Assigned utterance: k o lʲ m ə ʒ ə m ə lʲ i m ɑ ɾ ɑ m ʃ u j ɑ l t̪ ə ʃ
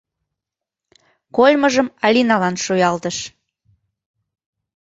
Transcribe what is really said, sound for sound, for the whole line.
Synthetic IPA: k o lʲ m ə ʒ ə m ɑ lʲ i n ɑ l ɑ n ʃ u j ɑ l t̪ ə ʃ